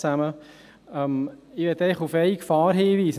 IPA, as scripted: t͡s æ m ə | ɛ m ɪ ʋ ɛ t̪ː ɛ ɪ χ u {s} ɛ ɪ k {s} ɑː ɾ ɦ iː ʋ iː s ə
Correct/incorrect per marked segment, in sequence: incorrect: f, incorrect: f

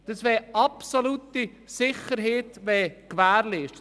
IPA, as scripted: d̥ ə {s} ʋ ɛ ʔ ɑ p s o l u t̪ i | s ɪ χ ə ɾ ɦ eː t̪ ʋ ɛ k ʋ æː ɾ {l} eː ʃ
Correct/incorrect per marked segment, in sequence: correct, correct

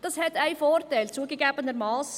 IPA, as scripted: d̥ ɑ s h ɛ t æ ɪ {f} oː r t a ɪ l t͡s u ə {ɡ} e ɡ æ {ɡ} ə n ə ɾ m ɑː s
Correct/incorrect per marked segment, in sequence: correct, correct, incorrect: b

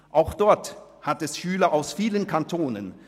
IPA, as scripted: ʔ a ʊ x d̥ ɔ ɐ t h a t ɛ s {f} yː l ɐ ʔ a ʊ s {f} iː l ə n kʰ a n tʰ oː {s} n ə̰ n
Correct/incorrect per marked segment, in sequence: incorrect: ʃ, correct, incorrect: none

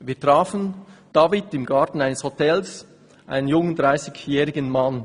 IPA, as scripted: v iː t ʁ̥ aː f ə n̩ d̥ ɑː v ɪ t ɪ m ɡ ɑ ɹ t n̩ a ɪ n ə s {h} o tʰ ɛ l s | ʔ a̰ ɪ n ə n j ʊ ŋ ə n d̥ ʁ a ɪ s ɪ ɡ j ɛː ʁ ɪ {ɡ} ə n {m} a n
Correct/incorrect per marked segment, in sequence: correct, correct, correct

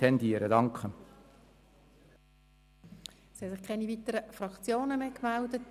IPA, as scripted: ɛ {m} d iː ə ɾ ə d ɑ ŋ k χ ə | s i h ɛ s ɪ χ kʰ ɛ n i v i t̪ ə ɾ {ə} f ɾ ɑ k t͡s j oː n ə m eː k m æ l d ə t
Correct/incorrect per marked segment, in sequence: incorrect: n, correct

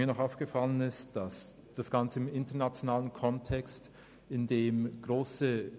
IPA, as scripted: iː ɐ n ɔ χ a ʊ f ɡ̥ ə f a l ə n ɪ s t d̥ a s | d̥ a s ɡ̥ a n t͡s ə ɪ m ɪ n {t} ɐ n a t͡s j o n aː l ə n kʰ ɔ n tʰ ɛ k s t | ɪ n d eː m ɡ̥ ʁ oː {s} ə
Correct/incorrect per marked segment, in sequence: correct, correct

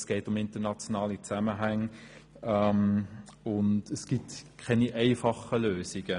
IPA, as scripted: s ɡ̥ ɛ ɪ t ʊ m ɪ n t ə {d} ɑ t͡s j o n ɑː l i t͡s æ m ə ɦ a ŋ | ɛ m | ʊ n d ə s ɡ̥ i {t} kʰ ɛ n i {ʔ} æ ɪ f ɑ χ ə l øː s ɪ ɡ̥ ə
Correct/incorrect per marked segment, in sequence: incorrect: n, correct, correct

